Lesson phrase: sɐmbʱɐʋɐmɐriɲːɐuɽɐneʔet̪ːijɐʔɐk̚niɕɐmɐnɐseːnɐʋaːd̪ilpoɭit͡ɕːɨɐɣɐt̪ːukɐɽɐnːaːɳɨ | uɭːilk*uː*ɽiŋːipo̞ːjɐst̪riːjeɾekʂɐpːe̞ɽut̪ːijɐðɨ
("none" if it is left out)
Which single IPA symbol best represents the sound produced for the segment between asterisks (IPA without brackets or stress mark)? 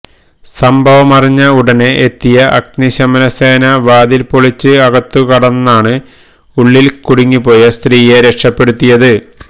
u